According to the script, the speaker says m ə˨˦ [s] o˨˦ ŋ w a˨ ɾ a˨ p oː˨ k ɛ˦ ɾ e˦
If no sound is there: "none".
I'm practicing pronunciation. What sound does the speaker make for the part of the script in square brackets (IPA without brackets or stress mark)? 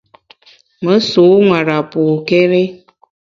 s